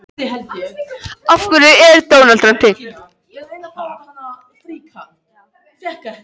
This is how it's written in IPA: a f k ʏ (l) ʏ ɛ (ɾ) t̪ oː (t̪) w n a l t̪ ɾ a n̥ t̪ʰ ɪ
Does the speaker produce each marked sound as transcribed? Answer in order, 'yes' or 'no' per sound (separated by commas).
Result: no, yes, no